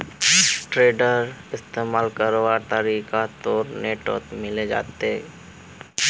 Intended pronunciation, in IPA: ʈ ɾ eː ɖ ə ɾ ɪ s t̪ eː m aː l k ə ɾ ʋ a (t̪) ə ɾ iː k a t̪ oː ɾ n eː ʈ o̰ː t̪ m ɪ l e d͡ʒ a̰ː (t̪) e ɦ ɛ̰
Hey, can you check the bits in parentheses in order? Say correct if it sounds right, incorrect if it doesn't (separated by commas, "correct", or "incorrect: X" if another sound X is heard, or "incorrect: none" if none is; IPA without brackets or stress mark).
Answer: correct, correct